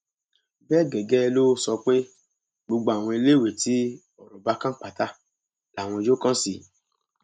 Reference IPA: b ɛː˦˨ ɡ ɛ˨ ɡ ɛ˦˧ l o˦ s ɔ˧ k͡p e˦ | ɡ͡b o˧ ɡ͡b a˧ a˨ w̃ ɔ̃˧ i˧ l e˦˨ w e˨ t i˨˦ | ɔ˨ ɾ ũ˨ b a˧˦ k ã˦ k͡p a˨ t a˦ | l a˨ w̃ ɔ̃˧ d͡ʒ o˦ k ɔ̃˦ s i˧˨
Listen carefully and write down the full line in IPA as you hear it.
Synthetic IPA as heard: b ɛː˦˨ ɡ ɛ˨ ɡ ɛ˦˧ l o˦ s ɔ˧ k͡p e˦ | ɡ͡b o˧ ɡ͡b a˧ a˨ w̃ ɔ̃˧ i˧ l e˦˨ w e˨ t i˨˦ | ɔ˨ ɾ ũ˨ b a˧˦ k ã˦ k͡p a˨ t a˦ | l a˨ w̃ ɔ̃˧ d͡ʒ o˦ k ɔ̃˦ s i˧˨

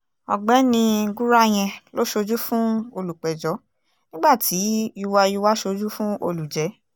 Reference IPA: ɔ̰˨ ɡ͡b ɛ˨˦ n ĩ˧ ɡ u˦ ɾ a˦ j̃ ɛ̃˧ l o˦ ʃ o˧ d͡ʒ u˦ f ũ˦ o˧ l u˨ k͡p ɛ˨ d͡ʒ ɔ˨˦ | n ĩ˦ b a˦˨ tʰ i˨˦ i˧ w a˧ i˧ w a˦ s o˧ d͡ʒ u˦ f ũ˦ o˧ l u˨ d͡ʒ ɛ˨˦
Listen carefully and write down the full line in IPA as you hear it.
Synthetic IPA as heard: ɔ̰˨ ɡ͡b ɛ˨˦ n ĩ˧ ɡ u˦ ɾ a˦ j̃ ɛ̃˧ l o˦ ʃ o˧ d͡ʒ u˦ f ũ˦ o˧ l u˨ k͡p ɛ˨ d͡ʒ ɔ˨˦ | n ĩ˦ ɡ͡b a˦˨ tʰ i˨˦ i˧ w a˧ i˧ w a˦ ʃ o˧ d͡ʒ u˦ f ũ˦ o˧ l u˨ d͡ʒ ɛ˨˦

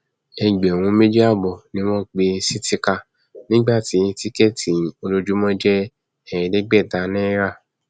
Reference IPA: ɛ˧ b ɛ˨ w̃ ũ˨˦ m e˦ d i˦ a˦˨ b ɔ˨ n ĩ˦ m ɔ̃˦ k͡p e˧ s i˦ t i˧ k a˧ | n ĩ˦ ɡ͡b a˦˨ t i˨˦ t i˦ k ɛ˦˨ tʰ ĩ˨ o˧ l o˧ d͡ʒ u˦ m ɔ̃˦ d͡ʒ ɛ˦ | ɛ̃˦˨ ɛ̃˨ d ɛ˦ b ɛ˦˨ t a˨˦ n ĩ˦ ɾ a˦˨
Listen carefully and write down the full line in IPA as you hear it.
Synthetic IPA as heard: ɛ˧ ɡ͡b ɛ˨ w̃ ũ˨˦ m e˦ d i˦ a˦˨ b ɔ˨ n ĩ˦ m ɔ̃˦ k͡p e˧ s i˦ t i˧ k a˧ | n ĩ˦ ɡ͡b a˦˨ t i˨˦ t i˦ k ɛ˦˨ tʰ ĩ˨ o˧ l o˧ d͡ʒ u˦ m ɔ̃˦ d͡ʒ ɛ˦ | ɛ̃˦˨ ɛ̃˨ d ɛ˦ ɡ͡b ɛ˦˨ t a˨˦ n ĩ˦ ɾ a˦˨

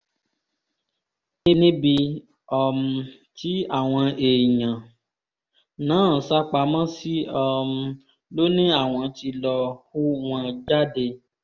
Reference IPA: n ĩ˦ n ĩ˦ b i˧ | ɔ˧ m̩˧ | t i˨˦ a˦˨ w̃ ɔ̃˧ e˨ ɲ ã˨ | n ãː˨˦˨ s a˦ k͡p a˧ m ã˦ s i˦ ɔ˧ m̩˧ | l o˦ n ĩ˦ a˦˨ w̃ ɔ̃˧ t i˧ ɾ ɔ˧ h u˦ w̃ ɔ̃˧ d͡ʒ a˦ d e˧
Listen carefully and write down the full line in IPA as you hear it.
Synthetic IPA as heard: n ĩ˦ n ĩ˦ b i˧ | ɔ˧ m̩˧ | t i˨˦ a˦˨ w̃ ɔ̃˧ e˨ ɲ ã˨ | n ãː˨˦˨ s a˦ k͡p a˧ m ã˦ s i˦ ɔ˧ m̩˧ | l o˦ n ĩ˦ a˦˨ w̃ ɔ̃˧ t i˧ l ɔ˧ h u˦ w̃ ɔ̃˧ d͡ʒ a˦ d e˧

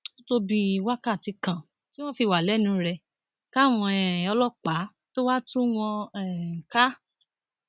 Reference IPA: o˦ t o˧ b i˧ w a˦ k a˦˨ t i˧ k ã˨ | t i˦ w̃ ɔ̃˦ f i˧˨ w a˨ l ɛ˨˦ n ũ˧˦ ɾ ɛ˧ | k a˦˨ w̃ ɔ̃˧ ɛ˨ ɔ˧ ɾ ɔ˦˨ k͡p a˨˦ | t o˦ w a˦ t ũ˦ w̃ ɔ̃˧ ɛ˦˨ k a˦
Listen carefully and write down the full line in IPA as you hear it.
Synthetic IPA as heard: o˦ t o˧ b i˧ w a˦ k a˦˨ t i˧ k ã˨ | t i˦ w̃ ɔ̃˦ f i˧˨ w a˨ l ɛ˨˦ n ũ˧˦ ɾ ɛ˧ | k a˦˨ w̃ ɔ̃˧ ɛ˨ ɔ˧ l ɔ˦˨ k͡p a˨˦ | t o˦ w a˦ t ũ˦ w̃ ɔ̃˧ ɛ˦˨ k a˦

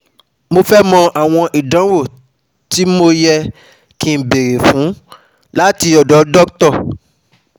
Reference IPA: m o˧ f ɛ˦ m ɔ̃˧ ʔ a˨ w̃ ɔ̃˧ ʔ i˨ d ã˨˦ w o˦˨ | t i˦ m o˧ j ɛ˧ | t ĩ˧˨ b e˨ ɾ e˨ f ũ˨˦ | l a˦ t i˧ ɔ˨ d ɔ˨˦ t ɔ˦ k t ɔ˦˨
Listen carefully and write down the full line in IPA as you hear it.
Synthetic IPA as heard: m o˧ f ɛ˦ m ɔ̃˧ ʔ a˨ w̃ ɔ̃˧ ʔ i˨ d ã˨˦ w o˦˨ | t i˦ m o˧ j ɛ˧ | k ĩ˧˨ b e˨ ɾ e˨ f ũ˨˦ | l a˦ t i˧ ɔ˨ d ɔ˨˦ d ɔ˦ k t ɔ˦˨

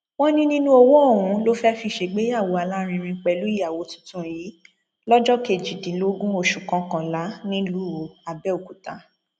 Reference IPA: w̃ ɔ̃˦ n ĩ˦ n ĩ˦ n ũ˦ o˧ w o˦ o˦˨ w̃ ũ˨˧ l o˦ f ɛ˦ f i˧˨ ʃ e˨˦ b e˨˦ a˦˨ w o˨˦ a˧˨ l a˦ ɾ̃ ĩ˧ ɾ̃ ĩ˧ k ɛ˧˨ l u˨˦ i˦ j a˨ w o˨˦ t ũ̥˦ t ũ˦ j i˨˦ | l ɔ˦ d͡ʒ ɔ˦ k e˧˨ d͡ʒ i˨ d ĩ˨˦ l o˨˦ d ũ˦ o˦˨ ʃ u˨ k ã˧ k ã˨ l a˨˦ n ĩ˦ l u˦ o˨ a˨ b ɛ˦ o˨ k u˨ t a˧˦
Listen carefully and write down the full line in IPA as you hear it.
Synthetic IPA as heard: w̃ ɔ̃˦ n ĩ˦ n ĩ˦ n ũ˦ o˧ w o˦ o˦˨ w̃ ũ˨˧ l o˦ f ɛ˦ f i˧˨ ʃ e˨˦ ɡ͡b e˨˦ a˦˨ w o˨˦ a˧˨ l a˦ ɾ̃ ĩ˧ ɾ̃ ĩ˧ k͡p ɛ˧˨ l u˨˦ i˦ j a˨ w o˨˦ t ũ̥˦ t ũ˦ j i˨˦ | l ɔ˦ d͡ʒ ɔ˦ k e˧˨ d͡ʒ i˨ d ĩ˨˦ l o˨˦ ɡ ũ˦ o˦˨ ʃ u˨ k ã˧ k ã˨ l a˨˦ n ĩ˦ l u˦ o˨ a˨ b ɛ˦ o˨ k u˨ t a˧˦

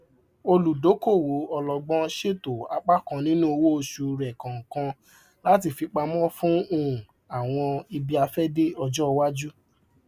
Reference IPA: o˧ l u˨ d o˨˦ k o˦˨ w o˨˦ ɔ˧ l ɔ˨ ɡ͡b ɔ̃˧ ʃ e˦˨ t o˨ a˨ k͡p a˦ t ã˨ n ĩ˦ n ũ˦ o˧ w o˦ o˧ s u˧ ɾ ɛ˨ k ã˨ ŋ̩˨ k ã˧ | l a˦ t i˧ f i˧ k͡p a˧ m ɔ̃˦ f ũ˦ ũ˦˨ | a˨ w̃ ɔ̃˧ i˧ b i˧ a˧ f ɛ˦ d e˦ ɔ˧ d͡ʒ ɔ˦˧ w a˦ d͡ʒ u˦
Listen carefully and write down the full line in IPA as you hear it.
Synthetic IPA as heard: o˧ l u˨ d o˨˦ k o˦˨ w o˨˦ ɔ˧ l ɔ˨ ɡ͡b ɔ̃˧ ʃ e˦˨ t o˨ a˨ k͡p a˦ k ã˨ n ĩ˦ n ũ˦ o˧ w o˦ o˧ ʃ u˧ ɾ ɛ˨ k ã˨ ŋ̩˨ k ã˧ | l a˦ t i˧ f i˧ k͡p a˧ m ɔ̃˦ f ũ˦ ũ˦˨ | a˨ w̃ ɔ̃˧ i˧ b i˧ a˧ f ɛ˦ d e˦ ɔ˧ d͡ʒ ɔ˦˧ w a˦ d͡ʒ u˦

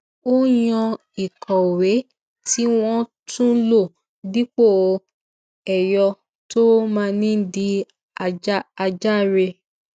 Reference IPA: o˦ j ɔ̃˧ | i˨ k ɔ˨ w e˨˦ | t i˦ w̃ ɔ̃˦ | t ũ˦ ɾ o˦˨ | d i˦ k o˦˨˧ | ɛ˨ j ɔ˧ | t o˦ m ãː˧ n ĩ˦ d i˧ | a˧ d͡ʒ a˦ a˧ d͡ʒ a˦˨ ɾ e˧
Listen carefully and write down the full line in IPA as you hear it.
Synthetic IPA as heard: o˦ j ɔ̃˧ | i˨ k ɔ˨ w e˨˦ | t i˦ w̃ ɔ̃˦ | t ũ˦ l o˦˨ | d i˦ k͡p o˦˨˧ | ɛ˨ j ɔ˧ | t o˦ m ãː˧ n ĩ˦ d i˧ | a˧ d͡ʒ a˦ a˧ d͡ʒ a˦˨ ɾ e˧

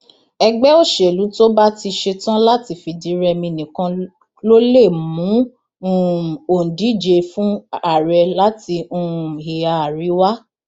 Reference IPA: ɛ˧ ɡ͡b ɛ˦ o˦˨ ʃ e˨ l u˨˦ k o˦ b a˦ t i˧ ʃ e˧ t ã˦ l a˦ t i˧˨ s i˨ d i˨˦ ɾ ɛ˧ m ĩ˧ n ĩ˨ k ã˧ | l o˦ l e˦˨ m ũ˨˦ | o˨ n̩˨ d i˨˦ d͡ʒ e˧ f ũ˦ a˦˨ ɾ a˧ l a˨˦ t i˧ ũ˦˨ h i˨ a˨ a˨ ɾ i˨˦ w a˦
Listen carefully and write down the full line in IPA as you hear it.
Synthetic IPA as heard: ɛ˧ ɡ͡b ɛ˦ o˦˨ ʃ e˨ l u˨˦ t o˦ b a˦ t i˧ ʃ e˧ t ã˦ l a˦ t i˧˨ f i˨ d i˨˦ ɾ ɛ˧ m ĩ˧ n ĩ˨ k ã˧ | l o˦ l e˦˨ m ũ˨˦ | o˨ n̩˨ d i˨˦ d͡ʒ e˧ f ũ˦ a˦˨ ɾ ɛ˧ l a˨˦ t i˧ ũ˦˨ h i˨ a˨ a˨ ɾ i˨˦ w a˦

